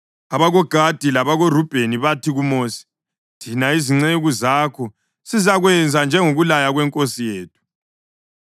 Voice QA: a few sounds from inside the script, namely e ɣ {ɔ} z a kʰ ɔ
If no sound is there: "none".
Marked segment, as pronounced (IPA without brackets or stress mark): u